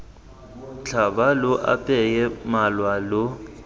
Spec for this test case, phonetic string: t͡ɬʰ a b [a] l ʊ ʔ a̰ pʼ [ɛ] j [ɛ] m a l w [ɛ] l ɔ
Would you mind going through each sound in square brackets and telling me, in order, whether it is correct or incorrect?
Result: correct, correct, correct, incorrect: a

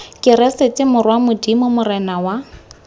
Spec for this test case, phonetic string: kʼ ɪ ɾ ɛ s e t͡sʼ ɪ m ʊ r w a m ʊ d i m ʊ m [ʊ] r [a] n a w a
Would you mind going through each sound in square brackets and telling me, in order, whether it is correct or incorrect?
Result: correct, incorrect: ɛ

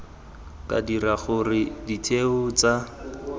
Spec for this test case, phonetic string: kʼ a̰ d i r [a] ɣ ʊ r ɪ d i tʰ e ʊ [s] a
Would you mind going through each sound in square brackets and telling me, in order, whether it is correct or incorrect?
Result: correct, incorrect: t͡s

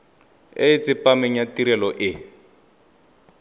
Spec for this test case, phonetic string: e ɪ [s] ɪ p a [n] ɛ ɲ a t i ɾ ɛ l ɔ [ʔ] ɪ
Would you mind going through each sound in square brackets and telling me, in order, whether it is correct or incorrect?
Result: incorrect: t͡s, incorrect: m, correct

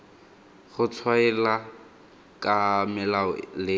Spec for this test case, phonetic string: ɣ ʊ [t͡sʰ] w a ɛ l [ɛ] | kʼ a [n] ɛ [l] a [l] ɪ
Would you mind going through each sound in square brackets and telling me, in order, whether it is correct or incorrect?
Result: correct, incorrect: a, incorrect: m, correct, correct

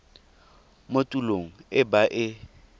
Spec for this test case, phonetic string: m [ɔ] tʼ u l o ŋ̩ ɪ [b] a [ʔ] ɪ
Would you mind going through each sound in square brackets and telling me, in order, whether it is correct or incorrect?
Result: incorrect: o, correct, correct

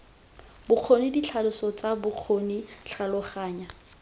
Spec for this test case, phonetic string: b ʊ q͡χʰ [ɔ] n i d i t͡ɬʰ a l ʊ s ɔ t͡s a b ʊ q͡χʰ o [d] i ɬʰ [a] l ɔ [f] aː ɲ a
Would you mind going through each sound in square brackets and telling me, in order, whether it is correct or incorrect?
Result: incorrect: o, incorrect: n, correct, incorrect: χ

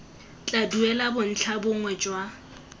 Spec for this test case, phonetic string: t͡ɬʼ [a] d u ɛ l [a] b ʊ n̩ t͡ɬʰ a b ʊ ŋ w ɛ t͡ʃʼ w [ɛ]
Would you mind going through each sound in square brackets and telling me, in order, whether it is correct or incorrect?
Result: correct, correct, incorrect: a

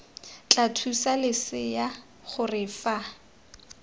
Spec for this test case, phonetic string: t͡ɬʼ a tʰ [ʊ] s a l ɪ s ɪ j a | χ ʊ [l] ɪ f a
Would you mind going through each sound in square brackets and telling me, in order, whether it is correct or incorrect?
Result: incorrect: u, incorrect: r

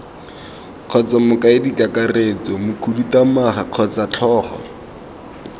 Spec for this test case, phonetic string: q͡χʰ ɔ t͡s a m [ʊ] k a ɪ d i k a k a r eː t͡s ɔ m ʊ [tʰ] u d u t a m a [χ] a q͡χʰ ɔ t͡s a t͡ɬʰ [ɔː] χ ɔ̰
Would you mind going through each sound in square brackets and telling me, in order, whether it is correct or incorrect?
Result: correct, incorrect: kʰ, correct, correct

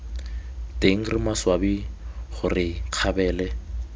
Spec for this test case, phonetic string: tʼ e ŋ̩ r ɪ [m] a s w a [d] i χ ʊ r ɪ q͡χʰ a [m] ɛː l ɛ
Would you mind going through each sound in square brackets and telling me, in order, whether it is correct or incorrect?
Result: correct, incorrect: b, incorrect: b

